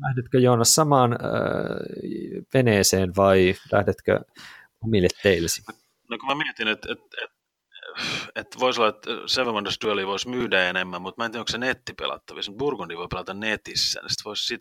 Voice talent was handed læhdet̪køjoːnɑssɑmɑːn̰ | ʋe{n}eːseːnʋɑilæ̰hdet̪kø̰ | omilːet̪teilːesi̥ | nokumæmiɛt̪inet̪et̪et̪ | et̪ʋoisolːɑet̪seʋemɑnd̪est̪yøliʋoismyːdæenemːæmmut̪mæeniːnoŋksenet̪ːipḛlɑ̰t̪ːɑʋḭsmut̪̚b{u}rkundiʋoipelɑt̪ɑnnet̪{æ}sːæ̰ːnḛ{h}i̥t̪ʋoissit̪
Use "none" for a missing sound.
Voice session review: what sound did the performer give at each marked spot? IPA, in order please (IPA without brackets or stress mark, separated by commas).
n, u, i, s